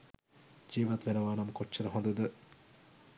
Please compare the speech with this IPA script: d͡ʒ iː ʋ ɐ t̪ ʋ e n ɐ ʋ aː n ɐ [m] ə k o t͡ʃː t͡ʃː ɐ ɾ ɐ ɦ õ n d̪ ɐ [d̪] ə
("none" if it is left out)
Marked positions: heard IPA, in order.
m, d̪

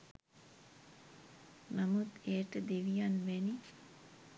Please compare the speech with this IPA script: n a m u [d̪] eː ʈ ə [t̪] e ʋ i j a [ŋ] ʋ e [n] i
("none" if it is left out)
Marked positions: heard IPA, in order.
t̪, d̪, n, n

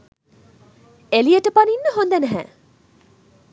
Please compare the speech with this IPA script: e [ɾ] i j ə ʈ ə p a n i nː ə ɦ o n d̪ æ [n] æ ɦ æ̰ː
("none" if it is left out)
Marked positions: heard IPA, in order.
l, n

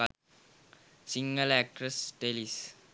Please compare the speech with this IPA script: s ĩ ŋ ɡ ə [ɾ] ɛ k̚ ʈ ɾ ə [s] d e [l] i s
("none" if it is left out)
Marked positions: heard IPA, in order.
l, s, l

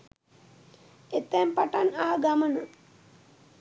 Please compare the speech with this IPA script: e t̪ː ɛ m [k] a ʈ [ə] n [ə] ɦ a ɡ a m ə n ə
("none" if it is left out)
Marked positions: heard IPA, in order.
p, a, a

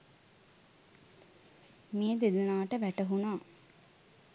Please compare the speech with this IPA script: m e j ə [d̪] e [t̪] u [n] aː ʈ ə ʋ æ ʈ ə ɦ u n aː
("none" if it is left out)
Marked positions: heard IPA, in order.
d̪, d̪, n

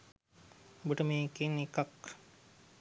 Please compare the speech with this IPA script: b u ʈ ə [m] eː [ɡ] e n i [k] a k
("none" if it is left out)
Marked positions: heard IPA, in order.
m, k, k

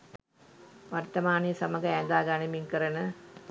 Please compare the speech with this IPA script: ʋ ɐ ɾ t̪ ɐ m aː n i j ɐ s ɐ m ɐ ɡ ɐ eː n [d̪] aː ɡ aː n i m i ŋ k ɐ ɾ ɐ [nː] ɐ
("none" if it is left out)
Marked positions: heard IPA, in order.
d̪, n

